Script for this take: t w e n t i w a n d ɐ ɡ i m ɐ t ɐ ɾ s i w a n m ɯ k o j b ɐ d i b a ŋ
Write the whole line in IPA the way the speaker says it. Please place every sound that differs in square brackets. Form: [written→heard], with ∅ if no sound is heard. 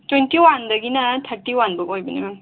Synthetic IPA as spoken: t w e n t i w a n d ɐ ɡ i [m→n] ɐ [t→tʰ] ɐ ɾ [s→t] i w a n [m→b] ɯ k o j b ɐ [d→n] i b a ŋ